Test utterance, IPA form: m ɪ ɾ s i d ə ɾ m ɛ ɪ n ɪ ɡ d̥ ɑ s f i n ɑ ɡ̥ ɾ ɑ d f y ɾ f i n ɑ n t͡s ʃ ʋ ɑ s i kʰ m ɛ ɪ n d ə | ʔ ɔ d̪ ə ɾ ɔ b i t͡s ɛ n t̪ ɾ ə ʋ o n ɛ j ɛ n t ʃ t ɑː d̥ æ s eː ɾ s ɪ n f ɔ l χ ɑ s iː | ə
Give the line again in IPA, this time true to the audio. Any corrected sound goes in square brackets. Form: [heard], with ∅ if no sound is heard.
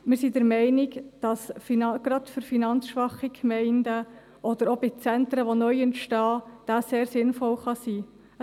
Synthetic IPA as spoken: m ɪ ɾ s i d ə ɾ m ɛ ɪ n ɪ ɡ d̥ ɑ s f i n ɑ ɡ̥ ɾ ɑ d f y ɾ f i n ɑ n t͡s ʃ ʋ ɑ [χ] i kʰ m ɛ ɪ n d ə | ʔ ɔ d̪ ə ɾ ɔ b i t͡s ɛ n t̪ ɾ ə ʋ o n [œ] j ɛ n t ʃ t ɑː d̥ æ s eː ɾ s ɪ n f ɔ l χ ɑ s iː | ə